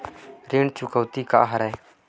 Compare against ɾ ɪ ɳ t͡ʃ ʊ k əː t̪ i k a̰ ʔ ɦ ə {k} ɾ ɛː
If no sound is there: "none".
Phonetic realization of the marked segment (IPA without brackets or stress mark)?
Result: none